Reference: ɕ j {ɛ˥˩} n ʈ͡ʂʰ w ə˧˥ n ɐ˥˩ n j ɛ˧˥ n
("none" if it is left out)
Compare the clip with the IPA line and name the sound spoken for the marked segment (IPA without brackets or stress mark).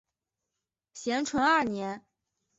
ɛ˧˥